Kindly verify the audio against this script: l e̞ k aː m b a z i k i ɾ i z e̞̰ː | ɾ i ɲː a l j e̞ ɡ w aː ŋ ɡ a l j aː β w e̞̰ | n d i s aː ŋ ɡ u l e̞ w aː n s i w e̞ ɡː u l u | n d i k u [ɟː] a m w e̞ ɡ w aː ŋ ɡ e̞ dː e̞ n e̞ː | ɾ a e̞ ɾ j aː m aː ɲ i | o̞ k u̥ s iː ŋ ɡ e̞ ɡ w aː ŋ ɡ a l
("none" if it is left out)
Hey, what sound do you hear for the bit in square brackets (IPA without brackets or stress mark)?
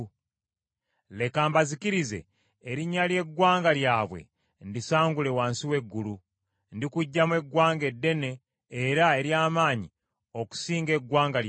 ɟː